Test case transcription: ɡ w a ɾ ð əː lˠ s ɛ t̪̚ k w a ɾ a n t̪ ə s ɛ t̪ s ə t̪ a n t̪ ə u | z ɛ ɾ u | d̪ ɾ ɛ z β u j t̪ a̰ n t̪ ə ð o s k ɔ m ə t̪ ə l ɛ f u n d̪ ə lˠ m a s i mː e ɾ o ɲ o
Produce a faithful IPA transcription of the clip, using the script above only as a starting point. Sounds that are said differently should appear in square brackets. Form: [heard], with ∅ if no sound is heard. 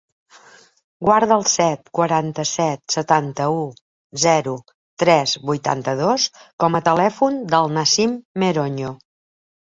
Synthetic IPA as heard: ɡ w a ɾ ð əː lˠ s ɛ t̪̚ k w [ə] ɾ a n t̪ ə s ɛ t̪ s ə t̪ a n t̪ ə u | z ɛ ɾ u | [t̪] ɾ ɛ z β u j t̪ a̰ n t̪ ə ð o s k ɔ m ə t̪ ə l ɛ f u n d̪ ə lˠ [n] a s i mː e ɾ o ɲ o